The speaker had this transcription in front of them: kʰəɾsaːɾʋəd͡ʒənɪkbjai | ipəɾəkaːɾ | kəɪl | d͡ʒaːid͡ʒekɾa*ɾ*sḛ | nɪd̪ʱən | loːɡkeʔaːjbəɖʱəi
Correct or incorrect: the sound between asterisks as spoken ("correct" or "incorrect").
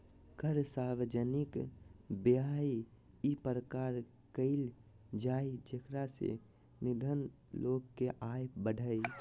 incorrect